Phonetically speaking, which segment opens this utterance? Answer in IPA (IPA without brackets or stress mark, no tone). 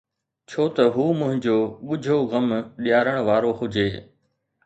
t͡ɕʰ